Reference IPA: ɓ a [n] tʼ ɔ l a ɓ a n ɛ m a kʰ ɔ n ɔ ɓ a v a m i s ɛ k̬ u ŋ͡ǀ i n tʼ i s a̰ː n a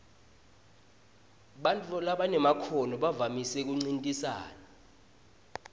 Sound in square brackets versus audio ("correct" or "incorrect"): correct